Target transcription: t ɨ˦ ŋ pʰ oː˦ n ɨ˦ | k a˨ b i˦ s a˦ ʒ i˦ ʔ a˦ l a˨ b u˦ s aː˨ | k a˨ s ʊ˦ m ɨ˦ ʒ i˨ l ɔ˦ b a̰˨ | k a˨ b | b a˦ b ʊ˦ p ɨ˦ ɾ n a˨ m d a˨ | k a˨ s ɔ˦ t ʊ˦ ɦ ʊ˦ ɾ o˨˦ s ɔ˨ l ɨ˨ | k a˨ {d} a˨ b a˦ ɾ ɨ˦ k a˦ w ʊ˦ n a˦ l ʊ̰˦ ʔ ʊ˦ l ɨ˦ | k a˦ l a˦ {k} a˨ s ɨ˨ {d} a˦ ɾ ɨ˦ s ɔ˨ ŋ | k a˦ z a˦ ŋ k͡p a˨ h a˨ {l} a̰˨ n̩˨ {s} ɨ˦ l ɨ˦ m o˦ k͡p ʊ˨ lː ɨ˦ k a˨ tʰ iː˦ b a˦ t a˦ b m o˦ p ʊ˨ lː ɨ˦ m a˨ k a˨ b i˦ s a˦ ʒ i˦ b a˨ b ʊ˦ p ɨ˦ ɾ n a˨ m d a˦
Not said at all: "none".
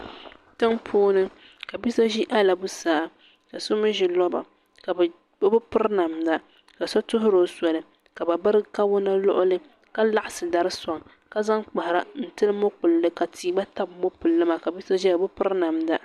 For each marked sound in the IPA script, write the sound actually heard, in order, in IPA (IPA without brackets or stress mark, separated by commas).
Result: b, ʔ, d, ɾ, t